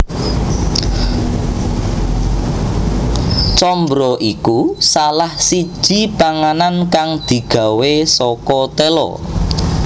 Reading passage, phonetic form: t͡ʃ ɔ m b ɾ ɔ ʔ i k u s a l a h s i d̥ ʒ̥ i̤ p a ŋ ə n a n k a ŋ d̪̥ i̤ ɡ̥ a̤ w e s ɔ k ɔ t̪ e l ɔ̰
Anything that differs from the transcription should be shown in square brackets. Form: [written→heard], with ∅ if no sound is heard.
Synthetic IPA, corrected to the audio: t͡ʃ ɔ m b ɾ ɔ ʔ i k u s a l a h s i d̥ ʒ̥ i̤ p a ŋ [ə→a] n a n k a ŋ d̪̥ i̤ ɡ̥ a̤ w e s ɔ k ɔ t̪ e l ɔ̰

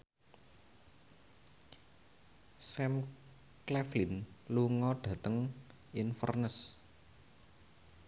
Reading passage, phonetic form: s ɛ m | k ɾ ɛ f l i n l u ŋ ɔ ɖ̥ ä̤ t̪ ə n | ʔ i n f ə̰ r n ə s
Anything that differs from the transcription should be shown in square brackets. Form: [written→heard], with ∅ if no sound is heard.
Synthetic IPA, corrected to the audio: s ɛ m | k [ɾ→l] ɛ f l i n l u ŋ ɔ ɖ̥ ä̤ t̪ ə [n→ŋ] | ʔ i n f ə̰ r n ə s

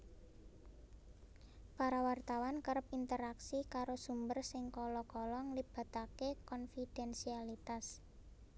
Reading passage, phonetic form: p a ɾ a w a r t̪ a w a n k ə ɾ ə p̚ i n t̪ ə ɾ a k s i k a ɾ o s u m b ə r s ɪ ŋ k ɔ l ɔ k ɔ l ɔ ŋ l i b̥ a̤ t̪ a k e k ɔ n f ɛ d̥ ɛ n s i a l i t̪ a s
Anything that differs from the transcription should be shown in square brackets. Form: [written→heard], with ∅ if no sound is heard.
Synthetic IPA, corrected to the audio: p a ɾ a w a r t̪ a w a n k ə ɾ ə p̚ i n t̪ ə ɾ a k s i k a ɾ o s u m b ə r s ɪ ŋ k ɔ l ɔ k ɔ l ɔ ŋ l i b̥ a̤ t̪ a k e k ɔ n f [ɛ→i] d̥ ɛ n s i a l i t̪ a s

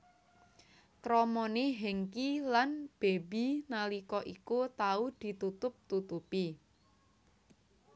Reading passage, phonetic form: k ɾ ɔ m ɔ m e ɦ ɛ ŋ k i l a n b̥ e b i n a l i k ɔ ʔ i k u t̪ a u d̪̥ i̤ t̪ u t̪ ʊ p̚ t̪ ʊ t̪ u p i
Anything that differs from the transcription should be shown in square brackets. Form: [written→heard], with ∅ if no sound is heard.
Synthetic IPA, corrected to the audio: k ɾ ɔ m ɔ [m→n] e ɦ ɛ ŋ k i l a n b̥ e b i n a l i k ɔ ʔ i k u t̪ a u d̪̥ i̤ t̪ u t̪ ʊ p̚ t̪ [ʊ→u] t̪ u p i

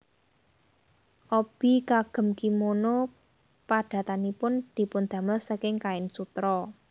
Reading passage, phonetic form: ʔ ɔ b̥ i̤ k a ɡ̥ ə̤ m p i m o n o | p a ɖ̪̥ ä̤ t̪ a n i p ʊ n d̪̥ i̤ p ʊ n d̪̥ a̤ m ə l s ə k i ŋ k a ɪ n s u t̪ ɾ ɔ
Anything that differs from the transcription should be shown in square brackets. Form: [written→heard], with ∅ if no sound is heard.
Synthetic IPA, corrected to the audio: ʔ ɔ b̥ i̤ k a ɡ̥ ə̤ m [p→k] i m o n o | p a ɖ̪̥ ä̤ t̪ a n i p ʊ n d̪̥ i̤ p ʊ n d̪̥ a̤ m ə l s ə k [i→ɪ] ŋ k a ɪ n s u t̪ ɾ ɔ

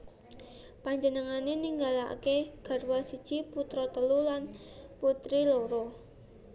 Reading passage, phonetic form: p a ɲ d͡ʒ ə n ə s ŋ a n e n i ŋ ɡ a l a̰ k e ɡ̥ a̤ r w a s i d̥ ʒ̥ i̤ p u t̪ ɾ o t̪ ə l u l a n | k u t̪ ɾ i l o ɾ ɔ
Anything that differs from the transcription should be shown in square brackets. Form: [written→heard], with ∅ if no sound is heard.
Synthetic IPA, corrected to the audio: p a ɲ d͡ʒ ə n ə [s→∅] ŋ a n e n i ŋ ɡ a l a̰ k e ɡ̥ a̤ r w a s i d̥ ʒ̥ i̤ p u t̪ ɾ [o→ɔ] t̪ ə l u l a n | [k→p] u t̪ ɾ i l o ɾ ɔ

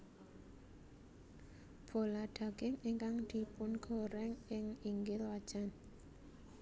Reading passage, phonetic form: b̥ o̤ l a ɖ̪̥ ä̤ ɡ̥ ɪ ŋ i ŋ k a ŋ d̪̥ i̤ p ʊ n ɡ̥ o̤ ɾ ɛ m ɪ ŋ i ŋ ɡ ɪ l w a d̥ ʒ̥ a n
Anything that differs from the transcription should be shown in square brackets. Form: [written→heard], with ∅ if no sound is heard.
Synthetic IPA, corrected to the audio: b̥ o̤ l a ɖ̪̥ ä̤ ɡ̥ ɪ ŋ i ŋ k a ŋ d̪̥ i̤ p ʊ n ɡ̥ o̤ ɾ ɛ [m→ŋ] ɪ ŋ i ŋ ɡ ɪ l w a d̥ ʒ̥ a n

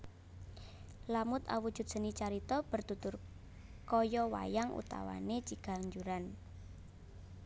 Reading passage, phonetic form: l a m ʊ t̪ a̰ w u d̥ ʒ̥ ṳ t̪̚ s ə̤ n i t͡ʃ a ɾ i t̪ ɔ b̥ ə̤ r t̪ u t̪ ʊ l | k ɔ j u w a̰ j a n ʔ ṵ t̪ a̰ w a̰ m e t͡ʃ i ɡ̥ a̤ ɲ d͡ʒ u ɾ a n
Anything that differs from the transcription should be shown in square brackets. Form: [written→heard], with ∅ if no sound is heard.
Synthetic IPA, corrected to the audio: l a m ʊ t̪ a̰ w u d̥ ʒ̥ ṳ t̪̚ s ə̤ n i t͡ʃ a ɾ i t̪ ɔ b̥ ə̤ r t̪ u t̪ ʊ [l→r] | k ɔ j [u→ɔ] w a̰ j a [n→ŋ] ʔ ṵ t̪ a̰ w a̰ [m→n] e t͡ʃ i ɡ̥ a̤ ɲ d͡ʒ u ɾ a n

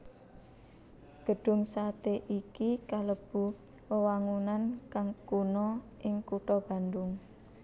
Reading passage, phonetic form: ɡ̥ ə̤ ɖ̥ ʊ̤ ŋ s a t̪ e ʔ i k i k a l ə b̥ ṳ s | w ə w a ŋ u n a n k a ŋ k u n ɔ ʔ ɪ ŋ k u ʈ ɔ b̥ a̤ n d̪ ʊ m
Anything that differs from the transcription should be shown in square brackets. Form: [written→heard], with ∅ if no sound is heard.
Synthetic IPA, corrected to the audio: ɡ̥ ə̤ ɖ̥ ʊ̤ ŋ s a t̪ e ʔ i k i k a l ə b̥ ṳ [s→∅] | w ə w a ŋ u n a n k a ŋ k u n ɔ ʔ ɪ ŋ k u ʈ ɔ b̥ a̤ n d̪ ʊ [m→ŋ]

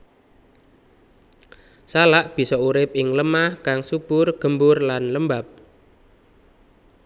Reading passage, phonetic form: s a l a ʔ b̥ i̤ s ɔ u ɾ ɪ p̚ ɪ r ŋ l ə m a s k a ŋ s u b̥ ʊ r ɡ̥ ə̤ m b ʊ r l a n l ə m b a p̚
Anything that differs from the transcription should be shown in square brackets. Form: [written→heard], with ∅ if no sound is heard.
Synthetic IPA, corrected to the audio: s a l a ʔ b̥ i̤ s ɔ u ɾ ɪ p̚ ɪ [r→∅] ŋ l ə m a [s→h] k a ŋ s u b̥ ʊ r ɡ̥ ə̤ m b ʊ r l a n l ə m b a p̚

